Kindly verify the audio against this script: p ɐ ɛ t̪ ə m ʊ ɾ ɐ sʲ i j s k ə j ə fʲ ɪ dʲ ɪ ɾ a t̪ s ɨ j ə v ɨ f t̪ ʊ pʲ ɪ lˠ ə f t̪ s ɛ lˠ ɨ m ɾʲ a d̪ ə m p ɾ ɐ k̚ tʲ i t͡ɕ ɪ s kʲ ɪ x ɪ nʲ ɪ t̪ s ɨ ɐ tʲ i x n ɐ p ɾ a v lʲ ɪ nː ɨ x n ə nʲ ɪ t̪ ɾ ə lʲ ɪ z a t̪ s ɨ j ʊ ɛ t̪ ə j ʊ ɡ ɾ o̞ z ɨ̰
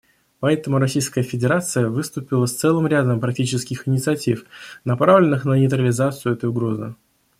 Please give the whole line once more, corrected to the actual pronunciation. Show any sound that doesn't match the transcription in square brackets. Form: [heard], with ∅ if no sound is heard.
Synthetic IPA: p ɐ ɛ t̪ ə m ʊ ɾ ɐ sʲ i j s k ə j ə fʲ ɪ dʲ ɪ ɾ a t̪ s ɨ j ə v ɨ [s] t̪ ʊ pʲ ɪ lˠ ə [s] t̪ s ɛ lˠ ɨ m ɾʲ a d̪ ə m p ɾ ɐ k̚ tʲ i t͡ɕ ɪ s kʲ ɪ x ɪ nʲ ɪ t̪ s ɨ ɐ tʲ i [f] n ɐ p ɾ a v lʲ ɪ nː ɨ x n ə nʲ ɪ t̪ ɾ ə lʲ ɪ z a t̪ s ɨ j ʊ ɛ t̪ ə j ʊ ɡ ɾ o̞ z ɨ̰